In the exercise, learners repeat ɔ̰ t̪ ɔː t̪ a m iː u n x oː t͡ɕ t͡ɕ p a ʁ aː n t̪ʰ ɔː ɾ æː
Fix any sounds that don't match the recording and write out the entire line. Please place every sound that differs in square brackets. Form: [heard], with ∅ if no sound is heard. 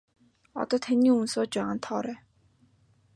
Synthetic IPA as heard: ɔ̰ t̪ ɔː [t̪ʰ] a [n] iː u n [s] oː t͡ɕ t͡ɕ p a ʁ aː n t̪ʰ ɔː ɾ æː